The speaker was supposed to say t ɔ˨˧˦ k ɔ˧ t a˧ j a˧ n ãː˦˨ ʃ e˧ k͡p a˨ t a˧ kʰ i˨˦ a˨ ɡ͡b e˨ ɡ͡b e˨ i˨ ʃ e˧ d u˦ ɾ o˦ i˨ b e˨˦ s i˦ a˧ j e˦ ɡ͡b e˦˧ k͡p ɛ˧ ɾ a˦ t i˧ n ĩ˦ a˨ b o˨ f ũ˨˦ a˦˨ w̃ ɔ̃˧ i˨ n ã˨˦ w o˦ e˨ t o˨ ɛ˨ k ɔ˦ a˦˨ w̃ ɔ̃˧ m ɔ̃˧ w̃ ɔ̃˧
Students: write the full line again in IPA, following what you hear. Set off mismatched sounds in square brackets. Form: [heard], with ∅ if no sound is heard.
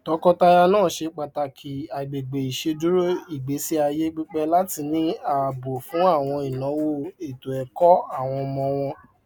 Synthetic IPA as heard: t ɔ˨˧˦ k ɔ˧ t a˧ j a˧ n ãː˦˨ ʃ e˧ k͡p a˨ t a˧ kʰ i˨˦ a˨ ɡ͡b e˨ ɡ͡b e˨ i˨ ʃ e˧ d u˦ ɾ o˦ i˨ [ɡ͡b] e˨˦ s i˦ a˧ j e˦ ɡ͡b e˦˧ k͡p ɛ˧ [l] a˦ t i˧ n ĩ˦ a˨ b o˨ f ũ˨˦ a˦˨ w̃ ɔ̃˧ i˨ n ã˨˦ w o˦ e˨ t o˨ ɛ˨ k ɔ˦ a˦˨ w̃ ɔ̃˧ m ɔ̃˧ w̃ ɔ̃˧